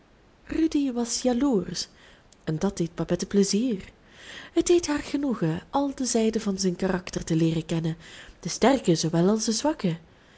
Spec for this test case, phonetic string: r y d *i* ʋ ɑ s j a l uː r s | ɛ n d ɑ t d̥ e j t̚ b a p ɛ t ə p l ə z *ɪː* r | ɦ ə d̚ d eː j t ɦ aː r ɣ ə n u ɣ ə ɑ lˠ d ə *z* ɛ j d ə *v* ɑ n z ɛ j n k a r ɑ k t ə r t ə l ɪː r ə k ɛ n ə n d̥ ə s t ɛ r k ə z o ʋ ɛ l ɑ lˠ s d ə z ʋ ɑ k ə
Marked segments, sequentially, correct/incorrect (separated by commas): correct, incorrect, correct, correct